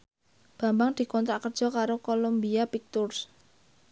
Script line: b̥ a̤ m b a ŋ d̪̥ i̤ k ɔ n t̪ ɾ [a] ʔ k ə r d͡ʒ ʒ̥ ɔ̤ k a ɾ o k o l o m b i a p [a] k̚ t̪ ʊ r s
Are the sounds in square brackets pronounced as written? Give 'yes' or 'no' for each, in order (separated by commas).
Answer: yes, no